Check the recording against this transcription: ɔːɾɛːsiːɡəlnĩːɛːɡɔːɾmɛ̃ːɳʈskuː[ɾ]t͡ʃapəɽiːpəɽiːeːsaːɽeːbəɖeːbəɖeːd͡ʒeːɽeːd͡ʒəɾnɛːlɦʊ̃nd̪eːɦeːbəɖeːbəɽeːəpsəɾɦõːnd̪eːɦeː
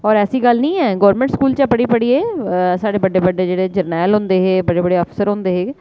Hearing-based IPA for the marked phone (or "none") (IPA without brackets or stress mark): l